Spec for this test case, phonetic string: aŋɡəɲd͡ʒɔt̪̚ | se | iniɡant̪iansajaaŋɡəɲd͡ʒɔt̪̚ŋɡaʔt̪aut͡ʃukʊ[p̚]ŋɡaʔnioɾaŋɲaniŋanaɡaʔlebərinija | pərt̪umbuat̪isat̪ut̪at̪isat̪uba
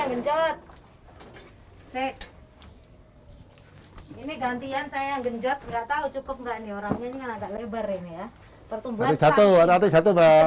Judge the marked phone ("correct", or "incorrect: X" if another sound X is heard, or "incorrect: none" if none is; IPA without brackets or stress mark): correct